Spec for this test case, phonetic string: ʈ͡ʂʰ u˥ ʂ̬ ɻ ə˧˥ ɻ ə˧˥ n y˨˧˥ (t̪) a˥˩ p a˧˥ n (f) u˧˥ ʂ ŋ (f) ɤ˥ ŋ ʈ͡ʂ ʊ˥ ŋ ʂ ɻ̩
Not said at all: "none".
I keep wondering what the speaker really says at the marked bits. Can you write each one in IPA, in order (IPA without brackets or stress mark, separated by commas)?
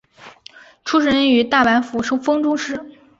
t̪, f, f